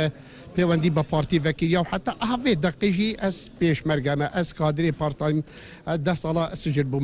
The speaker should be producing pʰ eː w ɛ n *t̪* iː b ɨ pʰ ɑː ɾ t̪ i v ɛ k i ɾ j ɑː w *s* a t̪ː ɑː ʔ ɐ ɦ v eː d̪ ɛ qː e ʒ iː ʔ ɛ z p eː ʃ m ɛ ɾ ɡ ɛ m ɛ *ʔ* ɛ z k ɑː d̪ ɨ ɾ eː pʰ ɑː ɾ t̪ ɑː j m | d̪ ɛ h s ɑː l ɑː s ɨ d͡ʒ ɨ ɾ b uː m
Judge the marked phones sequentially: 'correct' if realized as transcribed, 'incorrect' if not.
incorrect, incorrect, correct

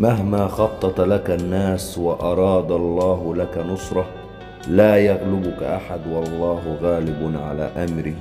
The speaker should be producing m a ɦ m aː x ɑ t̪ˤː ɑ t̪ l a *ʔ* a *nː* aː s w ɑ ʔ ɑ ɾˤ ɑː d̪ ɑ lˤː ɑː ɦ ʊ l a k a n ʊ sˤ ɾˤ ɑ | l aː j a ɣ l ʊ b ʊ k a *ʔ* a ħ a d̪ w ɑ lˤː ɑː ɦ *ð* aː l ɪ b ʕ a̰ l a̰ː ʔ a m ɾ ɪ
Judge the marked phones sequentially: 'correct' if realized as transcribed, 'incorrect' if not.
incorrect, correct, correct, incorrect

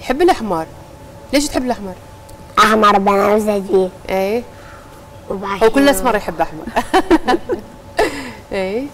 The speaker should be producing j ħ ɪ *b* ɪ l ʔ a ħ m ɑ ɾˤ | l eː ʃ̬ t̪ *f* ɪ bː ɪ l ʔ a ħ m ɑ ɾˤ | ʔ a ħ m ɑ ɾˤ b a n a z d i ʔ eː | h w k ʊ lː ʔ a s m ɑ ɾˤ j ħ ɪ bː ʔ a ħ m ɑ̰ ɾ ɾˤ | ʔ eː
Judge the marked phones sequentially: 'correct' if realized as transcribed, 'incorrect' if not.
incorrect, incorrect

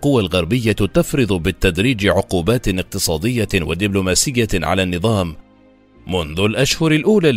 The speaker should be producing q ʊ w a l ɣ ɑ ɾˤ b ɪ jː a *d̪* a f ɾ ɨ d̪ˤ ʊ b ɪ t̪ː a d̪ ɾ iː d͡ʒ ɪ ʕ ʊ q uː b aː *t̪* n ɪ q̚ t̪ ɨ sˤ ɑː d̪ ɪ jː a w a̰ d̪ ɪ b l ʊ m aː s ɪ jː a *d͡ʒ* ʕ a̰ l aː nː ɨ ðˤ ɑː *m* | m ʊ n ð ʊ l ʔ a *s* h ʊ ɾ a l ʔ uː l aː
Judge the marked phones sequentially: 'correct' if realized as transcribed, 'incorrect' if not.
incorrect, correct, incorrect, correct, incorrect

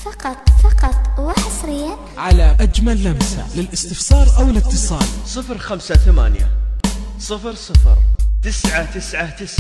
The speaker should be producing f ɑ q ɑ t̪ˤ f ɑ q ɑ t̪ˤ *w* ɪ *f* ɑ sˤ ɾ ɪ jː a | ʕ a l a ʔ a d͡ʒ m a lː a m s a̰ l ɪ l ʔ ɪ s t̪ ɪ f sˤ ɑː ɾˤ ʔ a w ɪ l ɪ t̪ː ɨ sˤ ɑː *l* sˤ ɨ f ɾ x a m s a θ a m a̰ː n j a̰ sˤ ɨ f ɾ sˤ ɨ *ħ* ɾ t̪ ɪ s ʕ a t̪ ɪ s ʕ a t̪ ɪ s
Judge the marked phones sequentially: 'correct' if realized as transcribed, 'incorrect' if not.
correct, incorrect, correct, incorrect

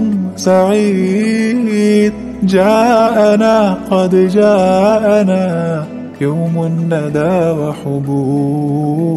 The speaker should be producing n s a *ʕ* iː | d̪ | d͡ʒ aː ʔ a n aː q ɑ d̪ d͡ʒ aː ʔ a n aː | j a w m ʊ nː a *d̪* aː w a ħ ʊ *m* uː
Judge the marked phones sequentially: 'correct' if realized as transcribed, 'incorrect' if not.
correct, correct, incorrect

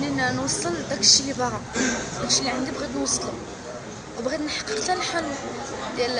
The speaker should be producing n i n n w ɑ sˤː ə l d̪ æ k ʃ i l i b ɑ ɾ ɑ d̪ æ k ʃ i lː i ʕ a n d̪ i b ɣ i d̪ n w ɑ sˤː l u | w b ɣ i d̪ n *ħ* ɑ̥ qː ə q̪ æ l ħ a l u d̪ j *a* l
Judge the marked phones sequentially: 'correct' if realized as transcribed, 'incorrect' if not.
correct, incorrect

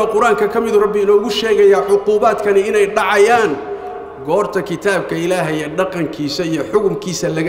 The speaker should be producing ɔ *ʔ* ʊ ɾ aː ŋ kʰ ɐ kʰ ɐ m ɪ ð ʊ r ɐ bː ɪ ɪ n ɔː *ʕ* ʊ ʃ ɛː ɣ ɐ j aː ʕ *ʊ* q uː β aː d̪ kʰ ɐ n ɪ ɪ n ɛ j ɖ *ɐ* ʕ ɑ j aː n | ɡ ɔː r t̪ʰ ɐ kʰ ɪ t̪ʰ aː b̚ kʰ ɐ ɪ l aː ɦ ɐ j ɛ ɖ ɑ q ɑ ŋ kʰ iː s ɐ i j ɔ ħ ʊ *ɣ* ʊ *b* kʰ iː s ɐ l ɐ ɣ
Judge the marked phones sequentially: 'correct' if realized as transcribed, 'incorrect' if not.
incorrect, incorrect, correct, incorrect, correct, incorrect

